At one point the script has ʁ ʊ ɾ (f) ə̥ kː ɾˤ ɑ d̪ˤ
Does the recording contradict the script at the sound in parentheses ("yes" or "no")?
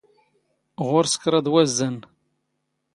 yes